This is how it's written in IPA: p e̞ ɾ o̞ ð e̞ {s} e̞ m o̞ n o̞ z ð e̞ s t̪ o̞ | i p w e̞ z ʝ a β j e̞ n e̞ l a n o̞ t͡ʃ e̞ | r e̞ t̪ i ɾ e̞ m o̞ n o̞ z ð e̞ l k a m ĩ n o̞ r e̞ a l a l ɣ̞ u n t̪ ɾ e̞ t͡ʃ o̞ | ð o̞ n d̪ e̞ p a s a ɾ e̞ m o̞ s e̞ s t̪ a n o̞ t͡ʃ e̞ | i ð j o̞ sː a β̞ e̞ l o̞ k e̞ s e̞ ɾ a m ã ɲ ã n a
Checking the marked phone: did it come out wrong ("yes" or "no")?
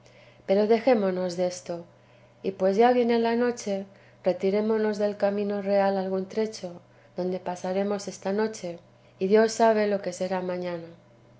yes